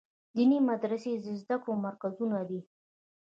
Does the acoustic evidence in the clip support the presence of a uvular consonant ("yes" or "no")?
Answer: no